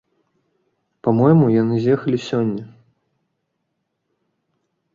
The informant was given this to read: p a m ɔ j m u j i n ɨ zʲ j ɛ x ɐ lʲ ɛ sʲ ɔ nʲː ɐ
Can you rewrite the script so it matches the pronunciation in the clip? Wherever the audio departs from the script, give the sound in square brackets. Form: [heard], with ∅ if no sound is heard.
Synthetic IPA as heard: p a m ɔ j m u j [a] n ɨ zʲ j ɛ x ɐ lʲ [i] sʲ ɔ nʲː ɐ